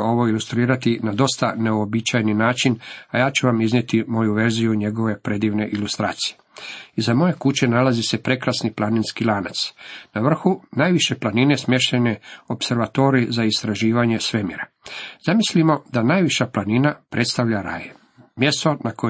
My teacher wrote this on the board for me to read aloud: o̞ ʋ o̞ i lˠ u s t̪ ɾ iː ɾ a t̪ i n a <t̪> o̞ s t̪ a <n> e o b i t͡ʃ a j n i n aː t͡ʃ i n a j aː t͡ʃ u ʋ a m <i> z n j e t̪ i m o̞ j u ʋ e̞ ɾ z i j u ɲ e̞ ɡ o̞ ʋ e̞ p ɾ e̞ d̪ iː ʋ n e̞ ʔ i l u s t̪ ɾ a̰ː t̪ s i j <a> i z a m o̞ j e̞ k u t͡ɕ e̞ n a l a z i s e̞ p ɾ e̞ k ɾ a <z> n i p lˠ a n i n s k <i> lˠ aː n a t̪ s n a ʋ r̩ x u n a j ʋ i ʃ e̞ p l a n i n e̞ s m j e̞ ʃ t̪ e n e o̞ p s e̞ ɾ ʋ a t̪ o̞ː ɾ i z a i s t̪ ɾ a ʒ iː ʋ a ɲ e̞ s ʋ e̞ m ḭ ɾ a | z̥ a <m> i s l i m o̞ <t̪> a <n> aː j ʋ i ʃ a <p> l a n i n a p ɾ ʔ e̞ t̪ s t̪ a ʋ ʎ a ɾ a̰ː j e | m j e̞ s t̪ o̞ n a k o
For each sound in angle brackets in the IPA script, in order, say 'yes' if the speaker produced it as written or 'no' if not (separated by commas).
no, yes, yes, no, no, yes, yes, no, yes, yes